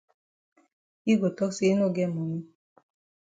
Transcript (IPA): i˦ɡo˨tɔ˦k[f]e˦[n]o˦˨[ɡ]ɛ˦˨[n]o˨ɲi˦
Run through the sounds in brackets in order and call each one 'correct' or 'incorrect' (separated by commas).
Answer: incorrect, correct, correct, incorrect